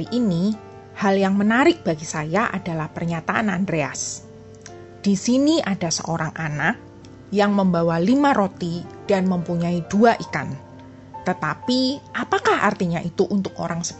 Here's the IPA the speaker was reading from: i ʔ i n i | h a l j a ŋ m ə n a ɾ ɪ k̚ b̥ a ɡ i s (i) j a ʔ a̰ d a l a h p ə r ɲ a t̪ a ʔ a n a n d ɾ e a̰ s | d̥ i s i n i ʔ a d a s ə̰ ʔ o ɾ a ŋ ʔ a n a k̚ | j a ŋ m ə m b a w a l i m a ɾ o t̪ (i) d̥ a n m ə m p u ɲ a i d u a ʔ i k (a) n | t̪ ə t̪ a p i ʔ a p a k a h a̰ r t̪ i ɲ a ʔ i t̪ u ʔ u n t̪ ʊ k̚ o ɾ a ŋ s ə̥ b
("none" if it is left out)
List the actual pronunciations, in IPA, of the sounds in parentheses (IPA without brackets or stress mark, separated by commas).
a, i, a